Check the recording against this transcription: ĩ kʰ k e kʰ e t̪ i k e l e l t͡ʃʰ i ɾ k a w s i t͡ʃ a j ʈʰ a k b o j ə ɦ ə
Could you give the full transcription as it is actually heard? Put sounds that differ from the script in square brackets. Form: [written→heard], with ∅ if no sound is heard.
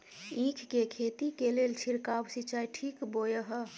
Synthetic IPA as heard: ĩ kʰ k e kʰ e t̪ i k e l e l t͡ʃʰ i ɾ k a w s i t͡ʃ a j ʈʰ [a→i] k b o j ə ɦ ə